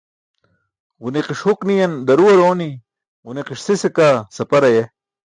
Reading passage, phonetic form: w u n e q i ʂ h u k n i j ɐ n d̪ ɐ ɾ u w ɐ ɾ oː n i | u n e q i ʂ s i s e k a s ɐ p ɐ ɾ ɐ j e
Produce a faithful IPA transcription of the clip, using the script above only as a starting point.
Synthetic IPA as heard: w u n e q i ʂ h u k n i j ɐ n d̪ ɐ ɾ u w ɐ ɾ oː n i | u n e q i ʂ s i s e k a s ɐ p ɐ ɾ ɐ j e